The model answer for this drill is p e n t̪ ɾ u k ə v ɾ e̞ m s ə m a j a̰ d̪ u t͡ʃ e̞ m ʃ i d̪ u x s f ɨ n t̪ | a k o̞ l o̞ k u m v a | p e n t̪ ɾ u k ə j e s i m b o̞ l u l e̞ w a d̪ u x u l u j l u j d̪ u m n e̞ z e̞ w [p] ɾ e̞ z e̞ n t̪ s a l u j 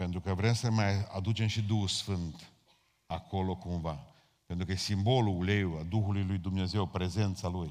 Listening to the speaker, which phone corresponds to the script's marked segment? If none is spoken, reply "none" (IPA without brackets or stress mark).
p